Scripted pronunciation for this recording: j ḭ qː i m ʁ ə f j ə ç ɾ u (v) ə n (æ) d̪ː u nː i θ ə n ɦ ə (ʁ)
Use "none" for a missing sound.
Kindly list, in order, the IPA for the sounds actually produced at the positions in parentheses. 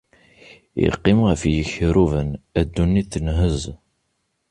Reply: v, æ, z

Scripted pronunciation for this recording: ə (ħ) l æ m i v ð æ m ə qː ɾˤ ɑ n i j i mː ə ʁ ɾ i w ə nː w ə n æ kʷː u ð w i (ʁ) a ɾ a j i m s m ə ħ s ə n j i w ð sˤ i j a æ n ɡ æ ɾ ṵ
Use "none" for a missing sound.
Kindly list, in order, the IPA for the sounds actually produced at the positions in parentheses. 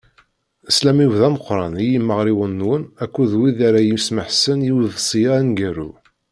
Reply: s, ð

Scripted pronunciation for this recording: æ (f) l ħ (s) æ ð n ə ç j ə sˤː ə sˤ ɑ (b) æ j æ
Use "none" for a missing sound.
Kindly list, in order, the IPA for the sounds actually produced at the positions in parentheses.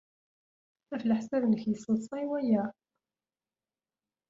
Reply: f, s, w

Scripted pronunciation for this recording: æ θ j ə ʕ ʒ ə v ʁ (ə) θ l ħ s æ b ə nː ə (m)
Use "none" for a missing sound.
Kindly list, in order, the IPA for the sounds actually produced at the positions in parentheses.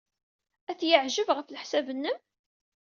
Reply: ə, m

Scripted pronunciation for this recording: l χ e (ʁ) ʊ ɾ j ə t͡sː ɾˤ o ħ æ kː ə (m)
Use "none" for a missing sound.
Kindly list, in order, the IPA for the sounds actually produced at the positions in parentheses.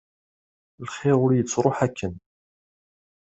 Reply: ʁ, n

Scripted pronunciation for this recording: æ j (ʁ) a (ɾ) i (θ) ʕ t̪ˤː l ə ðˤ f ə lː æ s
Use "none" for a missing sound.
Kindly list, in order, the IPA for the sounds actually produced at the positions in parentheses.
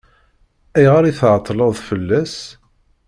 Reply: ʁ, ɾ, θ

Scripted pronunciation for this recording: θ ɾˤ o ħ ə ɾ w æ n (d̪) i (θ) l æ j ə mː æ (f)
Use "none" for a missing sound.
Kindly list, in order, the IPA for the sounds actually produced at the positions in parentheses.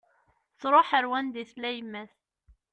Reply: d̪, θ, θ

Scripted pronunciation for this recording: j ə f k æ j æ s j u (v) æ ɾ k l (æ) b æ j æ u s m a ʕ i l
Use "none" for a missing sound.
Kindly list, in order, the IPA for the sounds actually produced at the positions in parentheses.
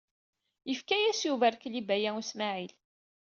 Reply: v, i

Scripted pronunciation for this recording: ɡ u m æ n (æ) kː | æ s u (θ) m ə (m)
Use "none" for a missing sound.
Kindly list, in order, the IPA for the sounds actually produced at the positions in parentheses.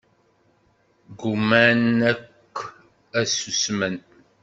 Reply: æ, s, n

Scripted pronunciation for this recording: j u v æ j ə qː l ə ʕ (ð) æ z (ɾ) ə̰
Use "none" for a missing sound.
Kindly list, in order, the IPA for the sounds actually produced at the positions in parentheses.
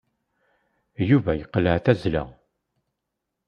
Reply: θ, l

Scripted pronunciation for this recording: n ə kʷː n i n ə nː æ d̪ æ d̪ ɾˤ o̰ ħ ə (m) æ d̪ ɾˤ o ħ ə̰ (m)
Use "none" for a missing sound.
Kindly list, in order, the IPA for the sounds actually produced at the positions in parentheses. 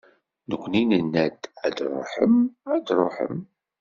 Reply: m, m

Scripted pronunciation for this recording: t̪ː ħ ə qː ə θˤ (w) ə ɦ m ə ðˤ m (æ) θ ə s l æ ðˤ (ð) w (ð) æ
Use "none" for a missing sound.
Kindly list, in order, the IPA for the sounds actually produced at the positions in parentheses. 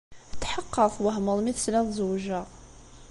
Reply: w, i, z, ʒ

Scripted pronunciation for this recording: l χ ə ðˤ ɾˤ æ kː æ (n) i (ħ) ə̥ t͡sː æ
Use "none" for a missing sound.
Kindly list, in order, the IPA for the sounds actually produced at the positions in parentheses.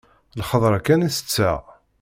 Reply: n, s

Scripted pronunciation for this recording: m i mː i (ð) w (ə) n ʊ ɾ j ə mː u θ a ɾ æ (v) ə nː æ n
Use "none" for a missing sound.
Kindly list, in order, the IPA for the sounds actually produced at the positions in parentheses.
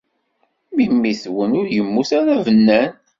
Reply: θ, ə, v

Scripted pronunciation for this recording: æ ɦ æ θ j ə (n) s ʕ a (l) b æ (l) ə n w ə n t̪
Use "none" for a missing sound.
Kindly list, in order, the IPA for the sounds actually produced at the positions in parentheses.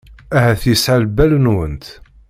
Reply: none, l, l

